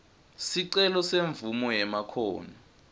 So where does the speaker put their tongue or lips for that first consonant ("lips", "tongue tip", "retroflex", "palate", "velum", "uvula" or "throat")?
tongue tip